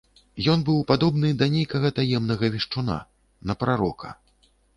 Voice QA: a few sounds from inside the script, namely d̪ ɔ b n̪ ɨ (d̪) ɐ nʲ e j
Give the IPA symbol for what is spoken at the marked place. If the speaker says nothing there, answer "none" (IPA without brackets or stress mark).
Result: d̪